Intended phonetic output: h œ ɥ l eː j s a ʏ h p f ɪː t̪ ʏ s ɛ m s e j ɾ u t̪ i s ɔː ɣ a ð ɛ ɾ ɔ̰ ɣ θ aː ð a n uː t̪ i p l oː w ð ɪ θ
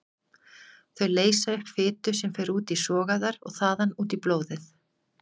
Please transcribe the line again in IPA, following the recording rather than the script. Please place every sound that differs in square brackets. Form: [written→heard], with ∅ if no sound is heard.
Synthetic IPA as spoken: [h→θ] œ ɥ l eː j s a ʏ h p f ɪː t̪ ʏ s ɛ m [s→f] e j ɾ [u→uː] t̪ i s ɔː ɣ a ð [ɛ→a] ɾ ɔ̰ ɣ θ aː ð a n uː t̪ i p l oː w ð ɪ θ